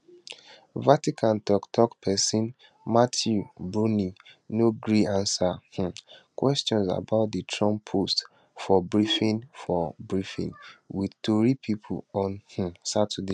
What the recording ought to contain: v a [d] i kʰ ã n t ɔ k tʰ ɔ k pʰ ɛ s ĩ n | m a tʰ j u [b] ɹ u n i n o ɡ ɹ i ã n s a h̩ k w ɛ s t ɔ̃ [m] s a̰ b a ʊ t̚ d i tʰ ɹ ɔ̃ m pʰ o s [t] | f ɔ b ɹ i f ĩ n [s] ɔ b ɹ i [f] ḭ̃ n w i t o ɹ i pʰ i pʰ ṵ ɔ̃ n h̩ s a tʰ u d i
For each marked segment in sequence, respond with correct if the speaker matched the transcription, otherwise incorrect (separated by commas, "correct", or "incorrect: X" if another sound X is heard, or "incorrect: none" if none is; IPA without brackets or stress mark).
incorrect: t, correct, incorrect: n, correct, incorrect: f, correct